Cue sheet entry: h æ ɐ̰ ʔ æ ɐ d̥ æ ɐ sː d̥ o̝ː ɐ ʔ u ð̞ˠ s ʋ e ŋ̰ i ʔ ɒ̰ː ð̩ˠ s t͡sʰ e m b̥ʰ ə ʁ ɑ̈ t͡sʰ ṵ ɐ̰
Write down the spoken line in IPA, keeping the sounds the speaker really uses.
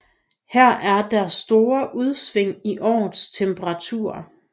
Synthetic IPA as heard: h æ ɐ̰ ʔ æ ɐ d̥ æ ɐ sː d̥ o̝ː ɐ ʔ u ð̞ˠ s ʋ e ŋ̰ i ʔ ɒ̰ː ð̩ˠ s t͡sʰ e m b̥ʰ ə ʁ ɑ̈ t͡sʰ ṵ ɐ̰

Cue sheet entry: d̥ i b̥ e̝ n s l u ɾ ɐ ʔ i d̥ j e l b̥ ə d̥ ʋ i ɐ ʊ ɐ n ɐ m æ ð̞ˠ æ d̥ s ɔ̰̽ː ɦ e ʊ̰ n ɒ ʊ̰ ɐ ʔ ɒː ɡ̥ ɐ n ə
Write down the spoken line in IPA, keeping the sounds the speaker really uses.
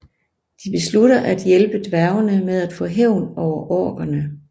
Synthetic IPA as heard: d̥ i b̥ e̝ s l u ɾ ɐ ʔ æ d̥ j e l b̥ ə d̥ ʋ æ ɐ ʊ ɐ n ə m e ð̞ˠ æ d̥ f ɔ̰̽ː ɦ e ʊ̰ n ɒ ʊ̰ ɐ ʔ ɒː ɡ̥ ɐ n ə

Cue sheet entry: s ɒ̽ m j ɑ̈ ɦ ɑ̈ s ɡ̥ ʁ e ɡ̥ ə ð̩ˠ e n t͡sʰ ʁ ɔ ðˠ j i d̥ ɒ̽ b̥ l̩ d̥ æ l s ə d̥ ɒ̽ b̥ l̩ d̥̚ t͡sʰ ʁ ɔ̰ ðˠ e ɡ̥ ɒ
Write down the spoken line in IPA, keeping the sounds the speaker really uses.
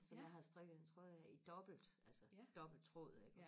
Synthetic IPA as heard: s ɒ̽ m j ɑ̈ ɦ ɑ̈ s d̥ ʁ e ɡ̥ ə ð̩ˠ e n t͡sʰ ʁ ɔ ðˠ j i d̥ ɒ̽ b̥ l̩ d̥ æ l s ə d̥ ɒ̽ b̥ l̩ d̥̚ t͡sʰ ʁ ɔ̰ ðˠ e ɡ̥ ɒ

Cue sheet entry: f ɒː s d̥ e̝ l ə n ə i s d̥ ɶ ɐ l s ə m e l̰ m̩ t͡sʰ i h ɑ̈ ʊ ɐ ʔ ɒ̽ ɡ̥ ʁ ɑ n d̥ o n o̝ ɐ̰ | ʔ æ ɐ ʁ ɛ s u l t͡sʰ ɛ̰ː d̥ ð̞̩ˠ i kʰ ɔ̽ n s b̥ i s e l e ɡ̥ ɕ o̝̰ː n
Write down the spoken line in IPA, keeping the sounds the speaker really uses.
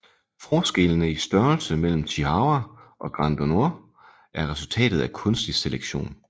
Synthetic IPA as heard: f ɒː s ɡ̥ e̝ l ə n ə i s d̥ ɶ ɐ l s ə m e l̰ m̩ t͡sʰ i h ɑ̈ ʊ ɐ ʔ ɒ̽ ɡ̥ ʁ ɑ n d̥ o n o̝ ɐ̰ | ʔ æ ɐ ʁ ɛ s u l t͡sʰ ɛ̰ː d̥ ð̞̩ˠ æ kʰ ɔ̽ n s d̥ i s e l e ɡ̥ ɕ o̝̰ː n

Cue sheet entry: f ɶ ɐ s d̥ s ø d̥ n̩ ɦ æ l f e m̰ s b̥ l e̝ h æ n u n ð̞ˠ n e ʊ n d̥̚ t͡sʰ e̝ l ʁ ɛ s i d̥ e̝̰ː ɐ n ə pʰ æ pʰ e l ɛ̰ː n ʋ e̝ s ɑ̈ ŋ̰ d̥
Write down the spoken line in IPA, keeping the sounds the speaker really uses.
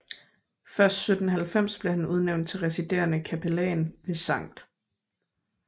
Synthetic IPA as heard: f ɶ ɐ s d̥ s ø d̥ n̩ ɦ æ l f e m̰ s b̥ l e̝ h æ n u ð̞ˠ n e ʊ n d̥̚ t͡sʰ e̝ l ʁ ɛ s i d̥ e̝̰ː ɐ n ə kʰ æ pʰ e l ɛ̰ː n ʋ e̝ s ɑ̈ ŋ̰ d̥

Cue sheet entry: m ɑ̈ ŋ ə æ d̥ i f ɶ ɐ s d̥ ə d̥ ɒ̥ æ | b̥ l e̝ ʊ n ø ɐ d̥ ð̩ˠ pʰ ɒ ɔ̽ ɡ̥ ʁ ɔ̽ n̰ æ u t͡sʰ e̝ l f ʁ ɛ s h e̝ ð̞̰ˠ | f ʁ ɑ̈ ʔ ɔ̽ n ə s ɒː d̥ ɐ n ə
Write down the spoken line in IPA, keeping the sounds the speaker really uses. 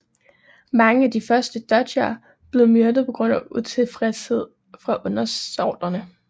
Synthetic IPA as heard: m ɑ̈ ŋ ə æ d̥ i f ɶ ɐ s d̥ ə d̥ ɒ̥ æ | b̥ l e̝ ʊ m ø ɐ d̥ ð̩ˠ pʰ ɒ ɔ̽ ɡ̥ ʁ ɔ̽ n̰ æ u t͡sʰ e̝ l f ʁ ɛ s h e̝ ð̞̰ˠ | f ʁ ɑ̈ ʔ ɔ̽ n ɐ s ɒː d̥ ɐ n ə

